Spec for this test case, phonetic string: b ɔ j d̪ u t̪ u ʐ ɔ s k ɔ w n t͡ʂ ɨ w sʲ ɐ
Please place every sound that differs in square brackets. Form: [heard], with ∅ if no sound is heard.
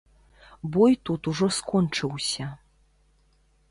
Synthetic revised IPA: b ɔ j [t̪] u t̪ u ʐ ɔ s k ɔ [∅] n t͡ʂ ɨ w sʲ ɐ